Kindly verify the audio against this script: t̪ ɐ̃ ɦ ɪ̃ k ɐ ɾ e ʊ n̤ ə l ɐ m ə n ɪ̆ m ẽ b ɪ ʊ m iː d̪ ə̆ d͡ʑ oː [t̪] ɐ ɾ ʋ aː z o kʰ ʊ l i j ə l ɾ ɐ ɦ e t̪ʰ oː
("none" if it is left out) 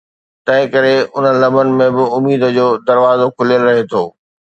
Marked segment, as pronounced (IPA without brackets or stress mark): d̪